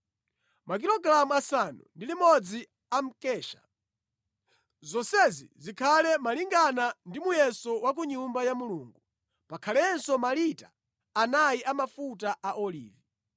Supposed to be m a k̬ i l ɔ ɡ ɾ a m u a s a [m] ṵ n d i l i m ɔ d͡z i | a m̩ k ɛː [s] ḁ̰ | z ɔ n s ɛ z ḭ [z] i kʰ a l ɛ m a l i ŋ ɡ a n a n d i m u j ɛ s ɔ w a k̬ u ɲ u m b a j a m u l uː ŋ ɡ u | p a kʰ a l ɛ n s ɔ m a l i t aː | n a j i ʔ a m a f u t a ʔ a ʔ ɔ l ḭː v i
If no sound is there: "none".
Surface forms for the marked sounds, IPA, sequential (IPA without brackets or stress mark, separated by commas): n, ʃ, z